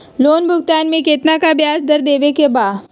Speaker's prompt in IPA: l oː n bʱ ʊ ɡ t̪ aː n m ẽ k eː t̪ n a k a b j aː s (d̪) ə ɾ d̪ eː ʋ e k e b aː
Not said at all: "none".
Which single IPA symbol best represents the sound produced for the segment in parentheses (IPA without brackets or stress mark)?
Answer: d̪